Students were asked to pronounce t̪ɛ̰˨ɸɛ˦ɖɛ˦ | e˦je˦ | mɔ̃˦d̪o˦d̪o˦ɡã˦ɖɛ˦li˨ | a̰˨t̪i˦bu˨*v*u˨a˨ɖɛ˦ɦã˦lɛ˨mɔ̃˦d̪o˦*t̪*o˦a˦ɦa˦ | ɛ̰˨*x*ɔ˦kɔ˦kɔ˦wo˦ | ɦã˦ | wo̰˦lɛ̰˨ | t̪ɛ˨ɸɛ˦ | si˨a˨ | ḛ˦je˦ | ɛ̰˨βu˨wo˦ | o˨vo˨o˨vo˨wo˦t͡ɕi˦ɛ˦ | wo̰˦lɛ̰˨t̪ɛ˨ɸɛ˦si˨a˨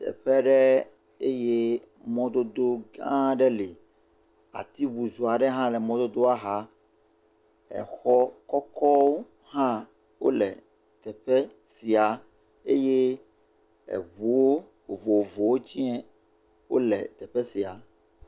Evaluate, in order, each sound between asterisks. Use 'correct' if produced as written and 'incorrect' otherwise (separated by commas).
incorrect, incorrect, correct